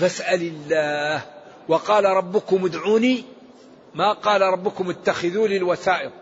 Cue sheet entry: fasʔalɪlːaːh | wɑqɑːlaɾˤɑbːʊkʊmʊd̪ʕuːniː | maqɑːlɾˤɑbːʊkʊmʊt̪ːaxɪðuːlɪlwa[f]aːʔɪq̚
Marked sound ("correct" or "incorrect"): incorrect